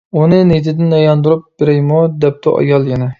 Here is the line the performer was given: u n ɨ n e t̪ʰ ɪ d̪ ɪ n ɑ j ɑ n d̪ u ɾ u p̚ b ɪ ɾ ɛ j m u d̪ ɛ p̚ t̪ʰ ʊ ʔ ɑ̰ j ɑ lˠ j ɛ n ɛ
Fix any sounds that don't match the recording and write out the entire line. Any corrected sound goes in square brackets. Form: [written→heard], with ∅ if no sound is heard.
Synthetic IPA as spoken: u n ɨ n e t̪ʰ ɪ d̪ ɪ n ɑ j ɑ n d̪ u ɾ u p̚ b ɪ ɾ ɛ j m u d̪ ɛ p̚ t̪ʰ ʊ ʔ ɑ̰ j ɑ lˠ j ɛ n ɛ

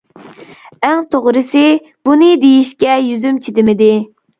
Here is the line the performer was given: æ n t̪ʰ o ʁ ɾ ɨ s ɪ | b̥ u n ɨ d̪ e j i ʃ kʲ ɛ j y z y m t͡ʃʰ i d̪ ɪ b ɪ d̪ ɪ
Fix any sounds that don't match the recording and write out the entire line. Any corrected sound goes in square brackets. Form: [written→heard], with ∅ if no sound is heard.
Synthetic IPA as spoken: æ [n→ŋ] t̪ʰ o ʁ ɾ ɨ s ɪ | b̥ u n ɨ d̪ e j i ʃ kʲ ɛ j y z y m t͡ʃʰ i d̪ ɪ [b→m] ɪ d̪ ɪ

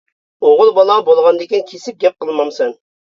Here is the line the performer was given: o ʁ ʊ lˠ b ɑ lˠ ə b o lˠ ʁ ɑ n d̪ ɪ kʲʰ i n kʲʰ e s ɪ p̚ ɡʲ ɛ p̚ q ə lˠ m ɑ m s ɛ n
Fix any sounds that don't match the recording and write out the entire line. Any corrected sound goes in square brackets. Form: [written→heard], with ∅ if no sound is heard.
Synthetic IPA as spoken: o ʁ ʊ lˠ b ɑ lˠ [ə→ɑ] b o lˠ ʁ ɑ n d̪ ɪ [kʲʰ→kʲ] i n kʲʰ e s ɪ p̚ ɡʲ ɛ p̚ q ə lˠ m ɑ m s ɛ n

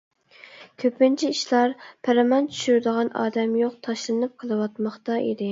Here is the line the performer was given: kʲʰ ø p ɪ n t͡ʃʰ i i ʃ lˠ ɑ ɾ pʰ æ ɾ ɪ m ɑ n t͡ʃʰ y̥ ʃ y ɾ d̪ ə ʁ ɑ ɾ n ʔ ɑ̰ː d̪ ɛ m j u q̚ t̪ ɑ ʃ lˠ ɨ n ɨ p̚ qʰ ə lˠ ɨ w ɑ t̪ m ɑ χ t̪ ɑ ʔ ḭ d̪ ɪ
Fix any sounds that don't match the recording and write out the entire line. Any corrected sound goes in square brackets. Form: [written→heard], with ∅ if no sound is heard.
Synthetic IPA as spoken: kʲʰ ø p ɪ n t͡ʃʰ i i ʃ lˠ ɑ ɾ pʰ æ ɾ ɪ m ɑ n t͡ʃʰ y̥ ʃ y ɾ d̪ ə ʁ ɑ [ɾ→∅] n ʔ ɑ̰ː d̪ ɛ m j [u→o] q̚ [t̪→t̪ʰ] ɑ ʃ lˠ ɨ n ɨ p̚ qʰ ə lˠ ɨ w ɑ t̪ m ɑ χ t̪ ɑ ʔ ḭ d̪ ɪ

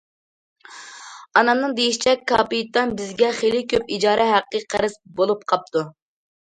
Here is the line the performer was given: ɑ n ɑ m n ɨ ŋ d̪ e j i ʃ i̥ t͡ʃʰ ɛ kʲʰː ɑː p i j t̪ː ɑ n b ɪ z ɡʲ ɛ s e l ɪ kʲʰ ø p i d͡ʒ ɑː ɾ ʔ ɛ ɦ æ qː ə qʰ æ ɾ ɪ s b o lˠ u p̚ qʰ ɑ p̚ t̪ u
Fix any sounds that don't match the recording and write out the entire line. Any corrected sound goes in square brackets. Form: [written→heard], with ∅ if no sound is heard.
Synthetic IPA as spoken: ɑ n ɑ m n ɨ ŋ d̪ e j i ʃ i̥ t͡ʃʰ ɛ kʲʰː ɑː p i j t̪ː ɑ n b ɪ z ɡʲ ɛ [s→χ] e l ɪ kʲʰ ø p i d͡ʒ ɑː ɾ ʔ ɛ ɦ æ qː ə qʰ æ ɾ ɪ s b o lˠ u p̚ qʰ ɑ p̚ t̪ u

